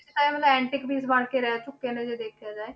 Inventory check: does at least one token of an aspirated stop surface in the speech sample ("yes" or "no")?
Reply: yes